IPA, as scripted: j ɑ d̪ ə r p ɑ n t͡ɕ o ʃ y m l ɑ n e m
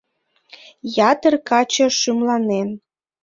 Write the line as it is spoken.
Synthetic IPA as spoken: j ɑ t̪ ə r k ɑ t͡ɕ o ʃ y m l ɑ n e n